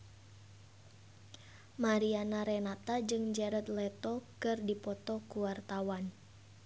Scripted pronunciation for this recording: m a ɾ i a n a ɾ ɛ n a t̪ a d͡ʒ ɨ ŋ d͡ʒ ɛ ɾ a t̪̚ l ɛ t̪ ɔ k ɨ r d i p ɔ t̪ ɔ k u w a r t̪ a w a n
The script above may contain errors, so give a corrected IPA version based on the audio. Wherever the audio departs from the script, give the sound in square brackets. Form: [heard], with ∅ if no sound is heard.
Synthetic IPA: m a ɾ i a n a ɾ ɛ n a t̪ a d͡ʒ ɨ ŋ d͡ʒ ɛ ɾ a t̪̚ l ɛ t̪ ɔ k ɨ r d i p ɔ t̪ ɔ k u w a r t̪ a w a n